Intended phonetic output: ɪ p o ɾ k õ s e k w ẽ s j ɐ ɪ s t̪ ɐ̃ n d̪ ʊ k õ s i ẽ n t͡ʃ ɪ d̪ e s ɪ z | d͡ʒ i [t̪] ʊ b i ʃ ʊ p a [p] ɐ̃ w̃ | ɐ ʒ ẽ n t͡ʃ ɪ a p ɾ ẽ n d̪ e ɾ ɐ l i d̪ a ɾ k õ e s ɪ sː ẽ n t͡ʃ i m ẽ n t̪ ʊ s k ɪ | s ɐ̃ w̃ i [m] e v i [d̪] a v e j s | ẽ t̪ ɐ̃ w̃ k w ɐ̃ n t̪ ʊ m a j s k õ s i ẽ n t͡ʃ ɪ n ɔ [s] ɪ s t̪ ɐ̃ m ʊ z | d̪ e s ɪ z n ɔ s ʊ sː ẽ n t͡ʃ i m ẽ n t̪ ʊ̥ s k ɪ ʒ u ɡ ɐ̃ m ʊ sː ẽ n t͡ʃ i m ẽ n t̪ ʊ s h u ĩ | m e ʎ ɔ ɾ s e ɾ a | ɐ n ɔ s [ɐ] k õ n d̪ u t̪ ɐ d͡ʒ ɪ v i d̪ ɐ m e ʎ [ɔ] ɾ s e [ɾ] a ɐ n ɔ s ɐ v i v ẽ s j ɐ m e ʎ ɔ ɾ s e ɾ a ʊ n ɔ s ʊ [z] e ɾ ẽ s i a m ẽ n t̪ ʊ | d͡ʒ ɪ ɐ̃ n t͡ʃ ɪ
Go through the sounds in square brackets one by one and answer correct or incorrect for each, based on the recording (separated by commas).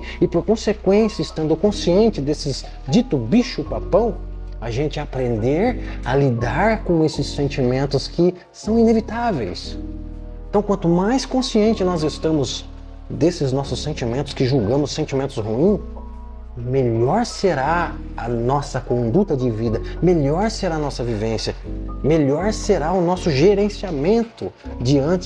correct, correct, incorrect, incorrect, incorrect, correct, correct, correct, incorrect